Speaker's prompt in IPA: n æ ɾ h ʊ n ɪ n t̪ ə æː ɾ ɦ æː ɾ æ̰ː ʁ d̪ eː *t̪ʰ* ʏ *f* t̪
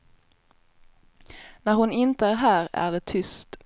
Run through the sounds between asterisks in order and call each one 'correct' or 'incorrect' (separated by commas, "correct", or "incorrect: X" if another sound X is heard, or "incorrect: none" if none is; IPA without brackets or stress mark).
correct, incorrect: s